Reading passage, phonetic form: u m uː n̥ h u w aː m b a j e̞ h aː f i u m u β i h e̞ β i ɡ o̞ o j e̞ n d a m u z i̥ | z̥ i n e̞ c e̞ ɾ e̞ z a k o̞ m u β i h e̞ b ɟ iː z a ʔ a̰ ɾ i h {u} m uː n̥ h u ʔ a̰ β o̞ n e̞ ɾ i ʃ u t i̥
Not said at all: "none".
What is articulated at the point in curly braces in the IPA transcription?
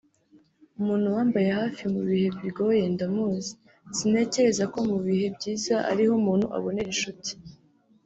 o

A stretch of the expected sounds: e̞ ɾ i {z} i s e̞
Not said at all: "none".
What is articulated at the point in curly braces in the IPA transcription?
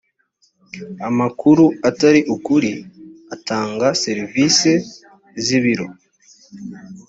v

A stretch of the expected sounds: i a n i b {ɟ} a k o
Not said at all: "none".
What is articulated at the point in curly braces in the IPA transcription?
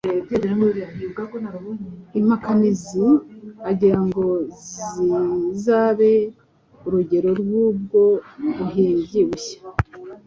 ɡ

